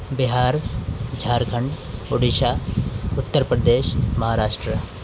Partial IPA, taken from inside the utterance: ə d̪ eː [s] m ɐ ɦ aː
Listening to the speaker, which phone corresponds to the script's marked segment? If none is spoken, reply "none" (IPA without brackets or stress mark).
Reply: ʃ